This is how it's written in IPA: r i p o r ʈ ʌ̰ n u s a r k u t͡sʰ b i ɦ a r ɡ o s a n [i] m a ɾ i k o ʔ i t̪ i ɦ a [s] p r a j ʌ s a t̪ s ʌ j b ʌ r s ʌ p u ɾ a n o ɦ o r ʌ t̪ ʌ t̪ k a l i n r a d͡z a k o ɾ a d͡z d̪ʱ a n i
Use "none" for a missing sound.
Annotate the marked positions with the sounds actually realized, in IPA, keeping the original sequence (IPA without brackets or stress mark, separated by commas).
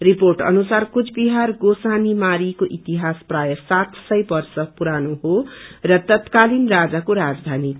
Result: i, s